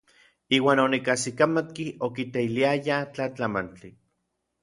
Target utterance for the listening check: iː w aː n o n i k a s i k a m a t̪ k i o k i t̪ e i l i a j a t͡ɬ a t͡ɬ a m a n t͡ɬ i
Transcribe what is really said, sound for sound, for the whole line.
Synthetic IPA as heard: iː w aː n o n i k a s i k a m a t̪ k i o k i t̪ e i l i a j a t͡ɬ a t͡ɬ a m a n t͡ɬ i